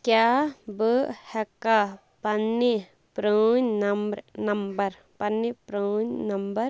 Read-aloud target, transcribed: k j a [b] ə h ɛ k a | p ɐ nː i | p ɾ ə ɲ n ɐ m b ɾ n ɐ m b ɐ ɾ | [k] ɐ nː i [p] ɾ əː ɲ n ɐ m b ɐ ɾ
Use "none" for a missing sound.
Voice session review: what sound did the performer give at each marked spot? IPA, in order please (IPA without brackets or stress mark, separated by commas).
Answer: b, p, p